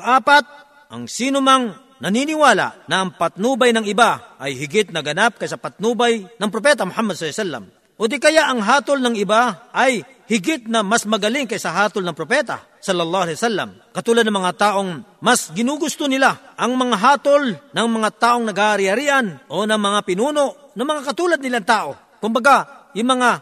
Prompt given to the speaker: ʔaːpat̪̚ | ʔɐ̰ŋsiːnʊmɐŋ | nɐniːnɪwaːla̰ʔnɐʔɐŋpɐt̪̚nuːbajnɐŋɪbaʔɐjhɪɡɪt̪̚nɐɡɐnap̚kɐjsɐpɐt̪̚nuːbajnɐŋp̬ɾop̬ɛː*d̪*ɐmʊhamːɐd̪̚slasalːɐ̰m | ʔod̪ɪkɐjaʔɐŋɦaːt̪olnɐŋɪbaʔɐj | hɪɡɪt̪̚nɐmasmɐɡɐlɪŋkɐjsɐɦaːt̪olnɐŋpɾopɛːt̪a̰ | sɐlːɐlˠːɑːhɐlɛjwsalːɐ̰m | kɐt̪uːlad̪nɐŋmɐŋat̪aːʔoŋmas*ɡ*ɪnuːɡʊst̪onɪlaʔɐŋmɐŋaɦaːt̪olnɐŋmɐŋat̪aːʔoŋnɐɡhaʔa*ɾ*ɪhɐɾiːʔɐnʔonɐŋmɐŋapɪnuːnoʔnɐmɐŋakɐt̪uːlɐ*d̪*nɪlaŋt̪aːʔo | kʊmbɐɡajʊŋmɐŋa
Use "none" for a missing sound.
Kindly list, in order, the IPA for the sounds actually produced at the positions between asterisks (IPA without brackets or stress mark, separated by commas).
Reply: t̪, ɡ, ɾ, d̪